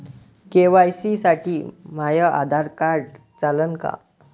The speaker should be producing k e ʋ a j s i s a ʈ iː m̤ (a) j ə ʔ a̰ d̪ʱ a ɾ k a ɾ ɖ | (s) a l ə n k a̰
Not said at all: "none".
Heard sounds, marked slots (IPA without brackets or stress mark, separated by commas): a, t͡s